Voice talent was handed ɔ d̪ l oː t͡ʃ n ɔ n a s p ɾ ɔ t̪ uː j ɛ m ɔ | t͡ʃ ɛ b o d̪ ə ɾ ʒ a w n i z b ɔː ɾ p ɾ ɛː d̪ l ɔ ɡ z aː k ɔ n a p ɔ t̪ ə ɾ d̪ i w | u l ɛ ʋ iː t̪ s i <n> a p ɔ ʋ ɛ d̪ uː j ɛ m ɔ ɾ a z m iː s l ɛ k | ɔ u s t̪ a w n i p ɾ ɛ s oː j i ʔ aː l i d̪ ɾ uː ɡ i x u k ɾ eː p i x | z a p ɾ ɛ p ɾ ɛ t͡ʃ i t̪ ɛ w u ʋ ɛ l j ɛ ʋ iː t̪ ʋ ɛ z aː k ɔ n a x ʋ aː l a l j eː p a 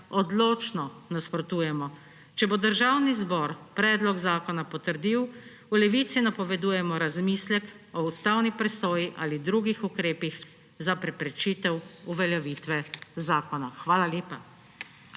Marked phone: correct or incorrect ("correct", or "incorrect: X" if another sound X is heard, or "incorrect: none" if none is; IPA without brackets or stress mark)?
correct